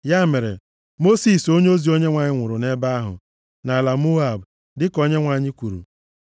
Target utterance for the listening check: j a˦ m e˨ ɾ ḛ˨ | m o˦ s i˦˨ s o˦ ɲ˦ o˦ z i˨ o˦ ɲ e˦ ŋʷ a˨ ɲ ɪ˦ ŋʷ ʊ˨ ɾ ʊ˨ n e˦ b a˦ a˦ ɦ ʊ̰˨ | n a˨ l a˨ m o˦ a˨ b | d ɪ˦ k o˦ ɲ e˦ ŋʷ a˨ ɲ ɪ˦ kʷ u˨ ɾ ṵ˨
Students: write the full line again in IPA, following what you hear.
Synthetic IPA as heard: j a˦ m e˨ ɾ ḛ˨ | m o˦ s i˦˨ s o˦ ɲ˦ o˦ z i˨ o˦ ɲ e˦ ŋʷ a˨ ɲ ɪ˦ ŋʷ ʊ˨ ɾ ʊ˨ n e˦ b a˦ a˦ ɦ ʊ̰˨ | n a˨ l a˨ m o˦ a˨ b | d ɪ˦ k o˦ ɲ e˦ ŋʷ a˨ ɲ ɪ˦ kʷ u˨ ɾ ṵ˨